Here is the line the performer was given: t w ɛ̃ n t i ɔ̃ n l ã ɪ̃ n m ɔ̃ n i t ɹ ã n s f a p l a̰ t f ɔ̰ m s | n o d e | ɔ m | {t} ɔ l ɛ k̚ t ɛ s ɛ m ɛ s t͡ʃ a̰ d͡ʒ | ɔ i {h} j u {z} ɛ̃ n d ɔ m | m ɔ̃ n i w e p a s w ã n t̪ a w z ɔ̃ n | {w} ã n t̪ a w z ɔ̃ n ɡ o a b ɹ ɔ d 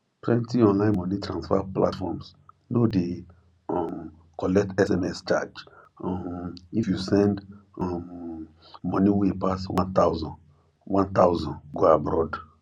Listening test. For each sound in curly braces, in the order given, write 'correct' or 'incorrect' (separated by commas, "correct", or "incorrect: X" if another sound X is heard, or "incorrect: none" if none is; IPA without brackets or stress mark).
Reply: incorrect: k, incorrect: f, incorrect: s, correct